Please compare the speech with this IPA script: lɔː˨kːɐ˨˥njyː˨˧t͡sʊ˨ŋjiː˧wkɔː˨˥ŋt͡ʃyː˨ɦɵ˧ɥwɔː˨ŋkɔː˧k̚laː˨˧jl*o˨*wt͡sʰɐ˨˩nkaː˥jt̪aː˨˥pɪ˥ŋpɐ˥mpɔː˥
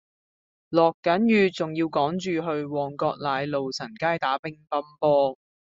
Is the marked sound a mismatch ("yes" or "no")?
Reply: no